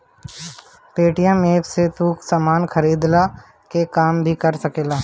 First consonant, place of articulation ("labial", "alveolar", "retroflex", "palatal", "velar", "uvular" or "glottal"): labial